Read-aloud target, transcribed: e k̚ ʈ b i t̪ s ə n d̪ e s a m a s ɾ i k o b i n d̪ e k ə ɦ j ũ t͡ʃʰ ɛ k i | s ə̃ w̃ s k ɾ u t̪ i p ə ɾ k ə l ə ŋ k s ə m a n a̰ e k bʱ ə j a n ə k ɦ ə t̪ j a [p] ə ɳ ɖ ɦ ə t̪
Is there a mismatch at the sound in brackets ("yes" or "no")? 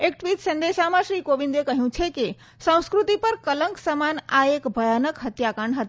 yes